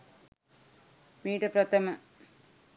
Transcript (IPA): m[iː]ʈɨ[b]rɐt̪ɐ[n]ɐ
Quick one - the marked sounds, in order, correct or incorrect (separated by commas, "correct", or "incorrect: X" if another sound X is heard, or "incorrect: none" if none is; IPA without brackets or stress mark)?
correct, incorrect: p, incorrect: m